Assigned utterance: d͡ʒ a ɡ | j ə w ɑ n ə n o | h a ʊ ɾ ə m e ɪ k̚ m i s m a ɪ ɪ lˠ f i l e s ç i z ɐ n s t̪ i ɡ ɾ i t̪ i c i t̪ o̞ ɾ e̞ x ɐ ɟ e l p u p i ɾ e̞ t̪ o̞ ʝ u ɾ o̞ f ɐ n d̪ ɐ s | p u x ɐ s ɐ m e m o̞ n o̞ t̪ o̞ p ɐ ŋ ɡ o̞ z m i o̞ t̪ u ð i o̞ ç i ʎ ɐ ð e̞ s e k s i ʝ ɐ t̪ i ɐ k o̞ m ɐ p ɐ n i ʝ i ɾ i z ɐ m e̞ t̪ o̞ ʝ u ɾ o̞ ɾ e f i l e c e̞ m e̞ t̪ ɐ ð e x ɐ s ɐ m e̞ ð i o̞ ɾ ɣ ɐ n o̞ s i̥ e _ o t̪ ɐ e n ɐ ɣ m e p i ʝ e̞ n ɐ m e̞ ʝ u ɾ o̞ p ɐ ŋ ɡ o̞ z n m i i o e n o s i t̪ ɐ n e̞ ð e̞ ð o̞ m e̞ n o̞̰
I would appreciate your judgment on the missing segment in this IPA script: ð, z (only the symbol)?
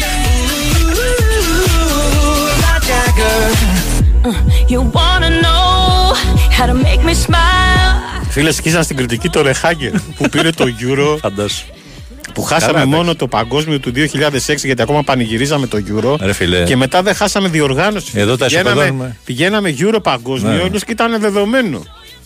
ð